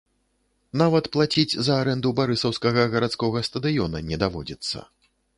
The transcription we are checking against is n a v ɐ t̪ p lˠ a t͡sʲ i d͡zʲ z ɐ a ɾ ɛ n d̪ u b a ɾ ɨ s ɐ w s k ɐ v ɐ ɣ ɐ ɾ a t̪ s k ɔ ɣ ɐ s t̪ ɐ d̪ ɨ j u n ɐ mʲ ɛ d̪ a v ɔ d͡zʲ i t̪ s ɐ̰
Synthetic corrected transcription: n a v ɐ t̪ p lˠ a t͡sʲ i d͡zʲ z ɐ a ɾ ɛ n d̪ u b a ɾ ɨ s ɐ w s k ɐ ɣ ɐ ɣ ɐ ɾ a t̪ s k ɔ ɣ ɐ s t̪ ɐ d̪ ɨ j ɔ n ɐ nʲ ɛ d̪ a v ɔ d͡zʲ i t̪ sː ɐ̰

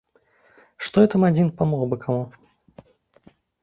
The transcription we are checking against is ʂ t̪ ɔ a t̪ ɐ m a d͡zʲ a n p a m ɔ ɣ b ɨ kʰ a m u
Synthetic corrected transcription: ʂ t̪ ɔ ɛ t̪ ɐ m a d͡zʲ i n p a m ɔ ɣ b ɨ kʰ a m u

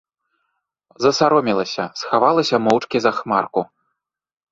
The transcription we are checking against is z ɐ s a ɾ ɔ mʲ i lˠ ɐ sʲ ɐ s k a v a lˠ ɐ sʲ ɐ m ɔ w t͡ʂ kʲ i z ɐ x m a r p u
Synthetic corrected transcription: z ɐ s a ɾ ɔ mʲ i lˠ ɐ sʲ ɐ s x a v a lˠ ɐ sʲ ɐ m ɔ w t͡ʂ kʲ i z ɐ x m a r k u

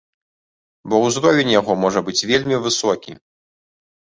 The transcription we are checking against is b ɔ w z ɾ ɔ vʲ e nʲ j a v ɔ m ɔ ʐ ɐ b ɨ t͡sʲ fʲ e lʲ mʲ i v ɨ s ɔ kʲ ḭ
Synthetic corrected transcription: b ɔ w z ɾ ɔ vʲ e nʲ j a ɣ ɔ m ɔ ʐ ɐ b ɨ t͡sʲ vʲ e lʲ mʲ i v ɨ s ɔ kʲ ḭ

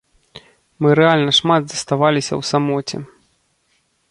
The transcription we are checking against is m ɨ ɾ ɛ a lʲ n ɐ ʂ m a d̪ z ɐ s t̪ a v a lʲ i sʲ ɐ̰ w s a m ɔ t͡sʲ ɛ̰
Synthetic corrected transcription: m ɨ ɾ ɛ a lʲ n ɐ ʂ m a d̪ z ɐ s t̪ a v a lʲ i sʲ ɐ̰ w s a m ɔ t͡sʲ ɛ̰

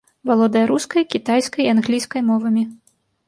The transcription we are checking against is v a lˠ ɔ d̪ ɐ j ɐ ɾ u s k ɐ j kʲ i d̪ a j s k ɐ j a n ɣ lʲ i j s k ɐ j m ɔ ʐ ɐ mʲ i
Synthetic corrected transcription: v a lˠ ɔ d̪ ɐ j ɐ ɾ u s k ɐ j kʲ i t̪ a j s k ɐ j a n ɣ lʲ i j s k ɐ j m ɔ v ɐ mʲ i

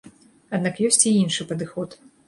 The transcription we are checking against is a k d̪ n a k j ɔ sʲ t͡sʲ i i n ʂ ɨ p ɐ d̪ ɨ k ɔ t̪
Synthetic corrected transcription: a d̪ n a k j ɔ sʲ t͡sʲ i i n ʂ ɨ p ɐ d̪ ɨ x ɔ t̪

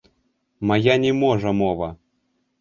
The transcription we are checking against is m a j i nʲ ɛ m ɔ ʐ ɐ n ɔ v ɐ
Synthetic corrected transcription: m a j a nʲ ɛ m ɔ ʐ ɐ m ɔ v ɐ

